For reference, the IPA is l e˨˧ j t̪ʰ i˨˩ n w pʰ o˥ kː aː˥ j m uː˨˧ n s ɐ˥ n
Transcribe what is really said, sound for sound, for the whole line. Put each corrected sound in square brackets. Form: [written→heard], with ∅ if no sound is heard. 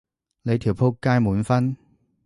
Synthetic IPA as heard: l e˨˧ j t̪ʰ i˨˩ [n→∅] w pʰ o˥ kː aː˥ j m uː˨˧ n [s→f] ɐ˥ n